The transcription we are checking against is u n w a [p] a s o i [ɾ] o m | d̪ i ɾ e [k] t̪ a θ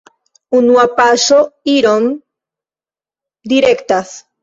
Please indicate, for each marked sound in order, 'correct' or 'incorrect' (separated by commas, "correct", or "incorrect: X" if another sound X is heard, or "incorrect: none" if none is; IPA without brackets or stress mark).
correct, correct, correct